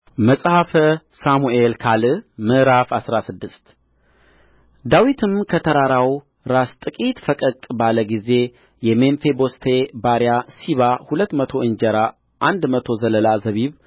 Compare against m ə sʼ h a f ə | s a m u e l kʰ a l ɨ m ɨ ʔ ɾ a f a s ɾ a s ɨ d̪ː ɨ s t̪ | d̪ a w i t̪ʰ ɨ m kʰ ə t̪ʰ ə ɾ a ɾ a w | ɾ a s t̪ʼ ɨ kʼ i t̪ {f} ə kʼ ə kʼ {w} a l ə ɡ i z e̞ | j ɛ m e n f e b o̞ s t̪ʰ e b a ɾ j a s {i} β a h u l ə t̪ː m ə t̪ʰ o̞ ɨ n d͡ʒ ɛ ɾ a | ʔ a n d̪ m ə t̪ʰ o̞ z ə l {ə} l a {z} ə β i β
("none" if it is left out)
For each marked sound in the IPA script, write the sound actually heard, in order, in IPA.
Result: f, b, i, ə, z

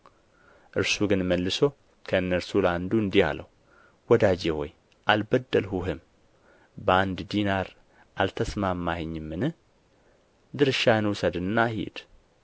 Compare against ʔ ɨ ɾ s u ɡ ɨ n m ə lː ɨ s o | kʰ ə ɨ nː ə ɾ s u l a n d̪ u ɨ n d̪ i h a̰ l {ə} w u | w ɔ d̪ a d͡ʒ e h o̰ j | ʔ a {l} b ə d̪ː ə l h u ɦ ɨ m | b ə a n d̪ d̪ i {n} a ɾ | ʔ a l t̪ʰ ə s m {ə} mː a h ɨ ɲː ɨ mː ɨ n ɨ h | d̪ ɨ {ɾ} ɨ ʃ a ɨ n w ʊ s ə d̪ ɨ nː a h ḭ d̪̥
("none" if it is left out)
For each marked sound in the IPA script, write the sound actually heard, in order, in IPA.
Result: ə, l, n, a, ɾ

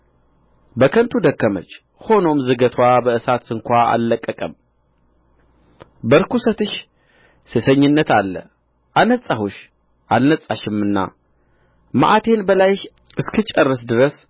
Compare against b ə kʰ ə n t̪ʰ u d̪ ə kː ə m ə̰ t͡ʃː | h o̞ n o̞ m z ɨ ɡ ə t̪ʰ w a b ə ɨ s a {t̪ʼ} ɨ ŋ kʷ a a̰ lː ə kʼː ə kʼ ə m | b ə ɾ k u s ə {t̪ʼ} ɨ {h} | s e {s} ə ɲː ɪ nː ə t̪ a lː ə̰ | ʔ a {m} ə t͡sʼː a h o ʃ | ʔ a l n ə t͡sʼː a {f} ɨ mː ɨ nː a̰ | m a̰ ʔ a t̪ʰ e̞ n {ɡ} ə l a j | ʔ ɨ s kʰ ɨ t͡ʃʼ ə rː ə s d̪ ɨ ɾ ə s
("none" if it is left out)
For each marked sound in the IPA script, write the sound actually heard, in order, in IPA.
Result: t̪, t̪, ʃ, s, n, ʃ, b

